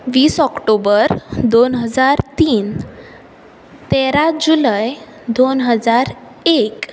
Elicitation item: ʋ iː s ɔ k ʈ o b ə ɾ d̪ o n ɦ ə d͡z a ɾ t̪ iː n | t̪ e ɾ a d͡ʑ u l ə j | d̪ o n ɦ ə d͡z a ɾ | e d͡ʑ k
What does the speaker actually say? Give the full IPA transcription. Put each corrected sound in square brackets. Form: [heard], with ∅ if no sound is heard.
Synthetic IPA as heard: ʋ iː s ɔ k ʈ o b ə ɾ d̪ o n ɦ ə d͡z a ɾ t̪ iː n | t̪ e ɾ a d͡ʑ u l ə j | d̪ o n ɦ ə d͡z a ɾ | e [∅] k